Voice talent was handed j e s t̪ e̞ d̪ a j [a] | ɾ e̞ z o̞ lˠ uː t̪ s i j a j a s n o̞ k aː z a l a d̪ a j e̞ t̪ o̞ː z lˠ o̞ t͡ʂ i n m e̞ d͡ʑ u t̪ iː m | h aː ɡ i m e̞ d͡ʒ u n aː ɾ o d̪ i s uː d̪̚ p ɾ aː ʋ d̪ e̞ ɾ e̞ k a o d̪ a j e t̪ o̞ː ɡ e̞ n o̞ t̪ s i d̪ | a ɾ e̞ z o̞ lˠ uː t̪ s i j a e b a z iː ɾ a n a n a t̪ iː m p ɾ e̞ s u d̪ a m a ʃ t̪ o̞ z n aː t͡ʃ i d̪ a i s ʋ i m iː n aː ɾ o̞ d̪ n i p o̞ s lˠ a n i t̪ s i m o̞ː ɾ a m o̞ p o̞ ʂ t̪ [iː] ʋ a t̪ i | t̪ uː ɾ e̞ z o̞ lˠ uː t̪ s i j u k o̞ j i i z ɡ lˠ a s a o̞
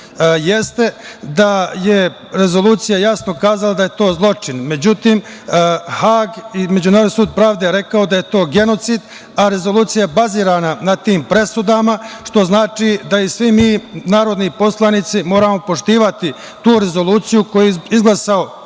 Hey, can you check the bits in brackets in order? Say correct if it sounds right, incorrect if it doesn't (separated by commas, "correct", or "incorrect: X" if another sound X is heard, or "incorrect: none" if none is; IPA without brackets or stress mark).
incorrect: e, correct